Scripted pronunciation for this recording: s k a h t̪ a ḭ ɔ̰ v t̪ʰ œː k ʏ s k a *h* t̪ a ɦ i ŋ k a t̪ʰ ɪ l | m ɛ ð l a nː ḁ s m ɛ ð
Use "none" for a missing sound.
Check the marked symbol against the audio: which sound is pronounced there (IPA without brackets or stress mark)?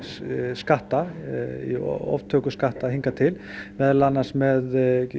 h